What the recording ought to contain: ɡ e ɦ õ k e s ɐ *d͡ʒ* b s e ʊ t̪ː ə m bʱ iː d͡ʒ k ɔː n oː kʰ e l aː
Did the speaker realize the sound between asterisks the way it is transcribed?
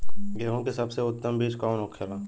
no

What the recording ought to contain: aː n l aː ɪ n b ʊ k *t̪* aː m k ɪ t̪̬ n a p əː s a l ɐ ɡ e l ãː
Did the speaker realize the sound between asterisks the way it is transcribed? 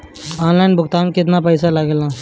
yes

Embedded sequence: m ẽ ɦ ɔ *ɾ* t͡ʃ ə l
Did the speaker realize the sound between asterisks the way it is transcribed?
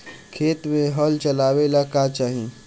no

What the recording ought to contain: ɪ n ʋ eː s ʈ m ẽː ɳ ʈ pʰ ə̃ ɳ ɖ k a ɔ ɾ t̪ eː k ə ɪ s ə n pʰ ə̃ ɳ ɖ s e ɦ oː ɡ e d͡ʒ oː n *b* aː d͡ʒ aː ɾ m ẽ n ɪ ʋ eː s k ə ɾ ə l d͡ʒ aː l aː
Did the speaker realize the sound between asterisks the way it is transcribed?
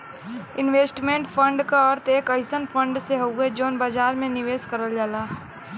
yes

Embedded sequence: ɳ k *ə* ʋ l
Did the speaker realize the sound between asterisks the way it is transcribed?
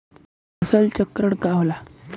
no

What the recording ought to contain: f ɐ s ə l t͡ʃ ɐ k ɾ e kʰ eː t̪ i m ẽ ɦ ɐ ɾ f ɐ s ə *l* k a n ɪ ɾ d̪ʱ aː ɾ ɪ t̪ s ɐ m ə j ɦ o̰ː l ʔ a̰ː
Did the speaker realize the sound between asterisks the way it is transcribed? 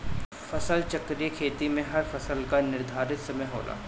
yes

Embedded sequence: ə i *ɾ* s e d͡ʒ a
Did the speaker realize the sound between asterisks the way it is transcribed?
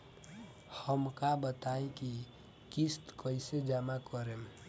no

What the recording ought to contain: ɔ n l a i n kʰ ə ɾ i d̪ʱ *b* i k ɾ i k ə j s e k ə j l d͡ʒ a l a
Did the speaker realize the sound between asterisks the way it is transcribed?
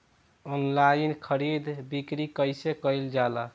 yes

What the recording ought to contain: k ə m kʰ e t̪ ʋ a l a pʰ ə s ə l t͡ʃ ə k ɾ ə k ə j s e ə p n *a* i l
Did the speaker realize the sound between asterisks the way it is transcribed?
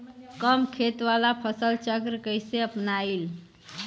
yes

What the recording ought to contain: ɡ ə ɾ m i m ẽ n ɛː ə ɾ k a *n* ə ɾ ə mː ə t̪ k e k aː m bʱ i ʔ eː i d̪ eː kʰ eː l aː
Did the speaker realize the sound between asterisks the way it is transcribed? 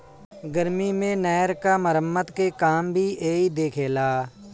no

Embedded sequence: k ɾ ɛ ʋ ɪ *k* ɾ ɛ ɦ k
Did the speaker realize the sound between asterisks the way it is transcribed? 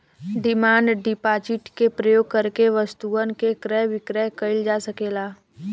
yes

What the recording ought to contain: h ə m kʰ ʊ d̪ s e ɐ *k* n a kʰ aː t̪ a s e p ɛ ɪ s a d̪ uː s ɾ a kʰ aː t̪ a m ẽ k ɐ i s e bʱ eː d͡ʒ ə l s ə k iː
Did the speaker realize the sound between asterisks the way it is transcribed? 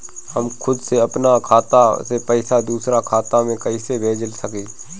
no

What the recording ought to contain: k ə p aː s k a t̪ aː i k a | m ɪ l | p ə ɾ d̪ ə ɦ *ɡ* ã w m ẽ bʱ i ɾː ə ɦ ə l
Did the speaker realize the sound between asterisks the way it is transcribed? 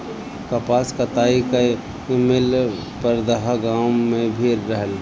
yes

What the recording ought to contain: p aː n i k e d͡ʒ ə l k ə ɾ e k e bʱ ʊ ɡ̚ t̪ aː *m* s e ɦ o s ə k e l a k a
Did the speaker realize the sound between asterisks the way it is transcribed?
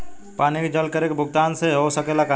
no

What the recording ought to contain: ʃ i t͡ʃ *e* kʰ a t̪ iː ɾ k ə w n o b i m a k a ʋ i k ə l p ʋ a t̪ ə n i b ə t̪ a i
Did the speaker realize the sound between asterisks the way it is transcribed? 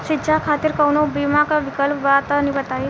no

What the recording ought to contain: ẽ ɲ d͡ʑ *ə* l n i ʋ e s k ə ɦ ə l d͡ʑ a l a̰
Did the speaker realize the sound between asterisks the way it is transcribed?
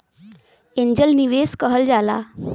yes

